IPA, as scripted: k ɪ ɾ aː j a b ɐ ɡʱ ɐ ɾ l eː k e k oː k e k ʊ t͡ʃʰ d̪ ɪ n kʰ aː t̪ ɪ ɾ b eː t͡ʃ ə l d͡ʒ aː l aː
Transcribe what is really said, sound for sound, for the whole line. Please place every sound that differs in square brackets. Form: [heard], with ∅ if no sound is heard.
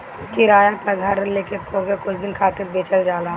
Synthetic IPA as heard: k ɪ ɾ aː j a [p] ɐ ɡʱ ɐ ɾ l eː k e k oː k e k ʊ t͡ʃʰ d̪ ɪ n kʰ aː t̪ ɪ ɾ b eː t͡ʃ ə l d͡ʒ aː l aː